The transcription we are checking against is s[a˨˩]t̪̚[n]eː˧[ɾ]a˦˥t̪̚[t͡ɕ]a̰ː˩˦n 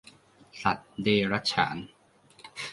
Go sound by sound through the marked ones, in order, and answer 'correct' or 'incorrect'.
correct, incorrect, correct, incorrect

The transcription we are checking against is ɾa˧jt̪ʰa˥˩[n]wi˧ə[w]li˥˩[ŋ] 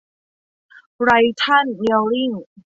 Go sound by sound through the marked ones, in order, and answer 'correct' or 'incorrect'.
correct, correct, correct

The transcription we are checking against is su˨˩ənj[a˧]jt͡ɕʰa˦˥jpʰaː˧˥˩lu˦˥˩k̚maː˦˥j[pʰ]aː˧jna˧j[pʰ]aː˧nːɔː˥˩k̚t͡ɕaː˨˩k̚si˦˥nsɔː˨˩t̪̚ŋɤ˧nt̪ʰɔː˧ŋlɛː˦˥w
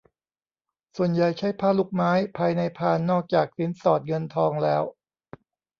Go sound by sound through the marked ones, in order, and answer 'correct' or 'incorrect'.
incorrect, correct, correct

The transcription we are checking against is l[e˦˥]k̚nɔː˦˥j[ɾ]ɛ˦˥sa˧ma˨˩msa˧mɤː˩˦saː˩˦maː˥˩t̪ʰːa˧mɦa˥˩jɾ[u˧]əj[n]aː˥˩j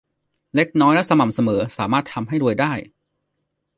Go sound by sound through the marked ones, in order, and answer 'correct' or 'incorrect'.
correct, incorrect, correct, incorrect

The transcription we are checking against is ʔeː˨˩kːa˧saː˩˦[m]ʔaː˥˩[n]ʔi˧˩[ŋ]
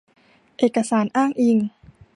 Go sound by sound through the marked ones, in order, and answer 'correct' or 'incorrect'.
incorrect, incorrect, correct

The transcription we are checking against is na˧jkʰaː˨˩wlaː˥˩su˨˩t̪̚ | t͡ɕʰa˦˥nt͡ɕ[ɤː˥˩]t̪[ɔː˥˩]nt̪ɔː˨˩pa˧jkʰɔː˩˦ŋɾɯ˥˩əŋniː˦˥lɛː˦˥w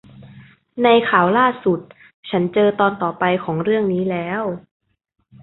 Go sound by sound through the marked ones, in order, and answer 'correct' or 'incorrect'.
incorrect, incorrect

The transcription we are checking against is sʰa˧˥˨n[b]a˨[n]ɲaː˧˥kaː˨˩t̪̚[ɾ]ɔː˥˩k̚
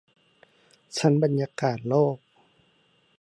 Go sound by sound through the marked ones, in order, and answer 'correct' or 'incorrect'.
correct, correct, incorrect

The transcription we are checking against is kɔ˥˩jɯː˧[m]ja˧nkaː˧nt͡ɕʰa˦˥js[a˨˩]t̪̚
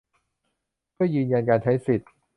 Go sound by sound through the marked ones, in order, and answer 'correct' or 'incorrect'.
incorrect, incorrect

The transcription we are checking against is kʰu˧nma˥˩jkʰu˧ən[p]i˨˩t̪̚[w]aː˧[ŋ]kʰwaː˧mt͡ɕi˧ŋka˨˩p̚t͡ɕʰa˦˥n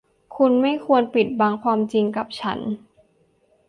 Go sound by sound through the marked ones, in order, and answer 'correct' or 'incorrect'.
correct, incorrect, correct

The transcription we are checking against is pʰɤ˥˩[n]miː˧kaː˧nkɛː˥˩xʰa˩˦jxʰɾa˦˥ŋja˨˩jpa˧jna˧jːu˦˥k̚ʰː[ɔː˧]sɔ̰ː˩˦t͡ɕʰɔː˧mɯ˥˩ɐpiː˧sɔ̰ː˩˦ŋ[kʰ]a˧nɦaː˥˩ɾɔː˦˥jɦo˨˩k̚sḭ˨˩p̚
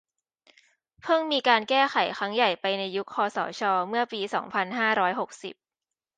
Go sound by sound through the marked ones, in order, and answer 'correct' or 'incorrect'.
incorrect, correct, incorrect

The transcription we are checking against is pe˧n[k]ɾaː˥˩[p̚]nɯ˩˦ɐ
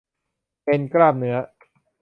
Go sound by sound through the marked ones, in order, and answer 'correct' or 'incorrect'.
correct, correct

